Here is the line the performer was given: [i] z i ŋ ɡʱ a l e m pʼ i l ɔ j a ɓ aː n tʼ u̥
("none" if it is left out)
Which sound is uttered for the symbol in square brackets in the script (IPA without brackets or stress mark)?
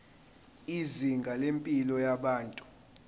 i